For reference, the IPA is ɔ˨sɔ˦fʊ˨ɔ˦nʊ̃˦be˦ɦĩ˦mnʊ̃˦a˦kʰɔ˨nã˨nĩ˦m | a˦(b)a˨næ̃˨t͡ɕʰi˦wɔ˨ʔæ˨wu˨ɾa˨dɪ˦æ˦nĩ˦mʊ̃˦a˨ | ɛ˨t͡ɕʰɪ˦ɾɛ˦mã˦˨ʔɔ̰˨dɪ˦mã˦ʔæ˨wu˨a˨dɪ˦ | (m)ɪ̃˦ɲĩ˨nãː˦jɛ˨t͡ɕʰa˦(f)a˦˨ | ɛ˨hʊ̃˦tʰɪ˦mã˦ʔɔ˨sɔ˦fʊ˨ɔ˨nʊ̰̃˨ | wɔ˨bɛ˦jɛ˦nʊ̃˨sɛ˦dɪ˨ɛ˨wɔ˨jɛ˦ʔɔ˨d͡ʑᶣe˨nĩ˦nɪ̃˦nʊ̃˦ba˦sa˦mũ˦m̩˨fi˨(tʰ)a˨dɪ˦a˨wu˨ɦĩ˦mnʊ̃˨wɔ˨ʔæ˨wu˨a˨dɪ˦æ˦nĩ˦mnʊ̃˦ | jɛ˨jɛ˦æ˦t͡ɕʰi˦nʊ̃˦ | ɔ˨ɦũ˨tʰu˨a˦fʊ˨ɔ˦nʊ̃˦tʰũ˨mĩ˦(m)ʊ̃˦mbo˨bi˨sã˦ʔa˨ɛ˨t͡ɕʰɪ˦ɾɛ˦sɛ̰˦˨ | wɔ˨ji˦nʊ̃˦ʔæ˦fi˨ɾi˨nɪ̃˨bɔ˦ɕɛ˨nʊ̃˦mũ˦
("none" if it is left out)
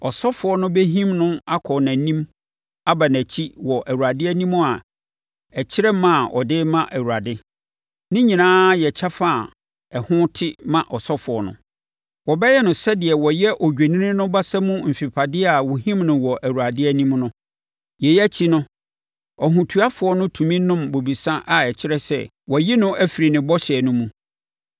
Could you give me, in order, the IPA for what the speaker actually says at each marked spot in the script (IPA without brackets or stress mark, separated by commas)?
b, n, f, pʰ, n